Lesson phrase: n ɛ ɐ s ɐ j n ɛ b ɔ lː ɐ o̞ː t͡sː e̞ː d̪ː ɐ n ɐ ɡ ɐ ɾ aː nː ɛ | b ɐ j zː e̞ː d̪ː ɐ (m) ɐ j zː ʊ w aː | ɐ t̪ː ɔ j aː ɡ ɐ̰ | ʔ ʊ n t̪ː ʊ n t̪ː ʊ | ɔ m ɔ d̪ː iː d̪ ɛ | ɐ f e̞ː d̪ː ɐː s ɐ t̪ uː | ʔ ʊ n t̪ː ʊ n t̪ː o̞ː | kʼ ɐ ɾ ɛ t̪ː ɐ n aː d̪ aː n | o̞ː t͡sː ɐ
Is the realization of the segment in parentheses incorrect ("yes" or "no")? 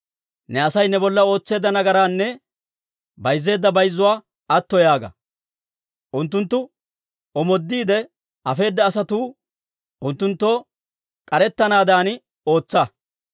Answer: yes